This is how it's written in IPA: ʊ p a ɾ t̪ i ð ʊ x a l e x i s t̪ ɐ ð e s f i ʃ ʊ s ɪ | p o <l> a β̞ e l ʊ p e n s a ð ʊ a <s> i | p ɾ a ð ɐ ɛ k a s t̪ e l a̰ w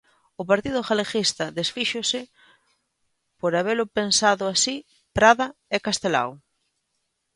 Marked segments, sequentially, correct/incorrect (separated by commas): incorrect, correct